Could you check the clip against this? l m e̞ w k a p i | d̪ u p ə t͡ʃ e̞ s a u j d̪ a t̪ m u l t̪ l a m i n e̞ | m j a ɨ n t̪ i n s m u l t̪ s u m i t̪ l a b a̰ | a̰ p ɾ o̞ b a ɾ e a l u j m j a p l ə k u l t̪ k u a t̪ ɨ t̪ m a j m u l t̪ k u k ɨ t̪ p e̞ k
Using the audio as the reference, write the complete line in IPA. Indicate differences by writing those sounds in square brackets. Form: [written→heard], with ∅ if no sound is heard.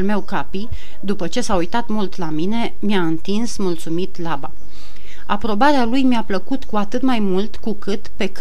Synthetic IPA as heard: l m e̞ w k a p i | d̪ u p ə t͡ʃ e̞ s a u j [d̪→t̪] a t̪ m u l t̪ l a m i n e̞ | m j a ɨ n t̪ i n s m u l t̪ s u m i t̪ l a b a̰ | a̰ p ɾ o̞ b a ɾ e a l u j m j a p l ə k u [l→∅] t̪ k u a t̪ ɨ t̪ m a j m u l t̪ k u k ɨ t̪ p e̞ k